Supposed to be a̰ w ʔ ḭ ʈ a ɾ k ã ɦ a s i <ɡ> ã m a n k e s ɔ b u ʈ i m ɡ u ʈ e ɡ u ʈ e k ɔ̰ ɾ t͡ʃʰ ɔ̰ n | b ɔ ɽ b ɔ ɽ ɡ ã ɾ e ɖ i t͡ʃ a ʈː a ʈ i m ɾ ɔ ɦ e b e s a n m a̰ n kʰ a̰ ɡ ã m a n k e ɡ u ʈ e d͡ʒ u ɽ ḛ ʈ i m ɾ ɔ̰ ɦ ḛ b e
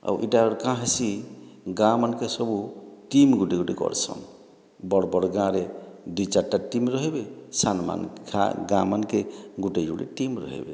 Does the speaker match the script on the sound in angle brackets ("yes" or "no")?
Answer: yes